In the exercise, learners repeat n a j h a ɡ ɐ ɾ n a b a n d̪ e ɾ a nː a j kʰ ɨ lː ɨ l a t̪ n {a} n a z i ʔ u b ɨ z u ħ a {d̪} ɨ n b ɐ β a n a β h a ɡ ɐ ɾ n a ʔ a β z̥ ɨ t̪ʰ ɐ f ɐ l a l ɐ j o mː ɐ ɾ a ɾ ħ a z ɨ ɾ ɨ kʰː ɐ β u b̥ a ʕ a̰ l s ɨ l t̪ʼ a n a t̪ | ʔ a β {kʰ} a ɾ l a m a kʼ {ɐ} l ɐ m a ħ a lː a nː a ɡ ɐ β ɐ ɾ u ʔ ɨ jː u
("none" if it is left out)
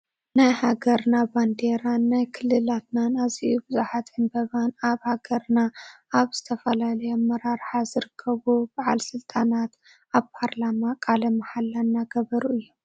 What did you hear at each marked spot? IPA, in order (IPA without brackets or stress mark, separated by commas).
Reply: a, t̪, pʰ, a